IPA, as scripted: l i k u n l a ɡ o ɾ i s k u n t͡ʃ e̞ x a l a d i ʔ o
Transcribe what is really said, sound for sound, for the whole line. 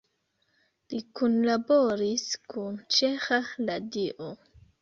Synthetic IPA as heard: l i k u n l a b o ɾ i s k u n t͡ʃ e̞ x a l a d i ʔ o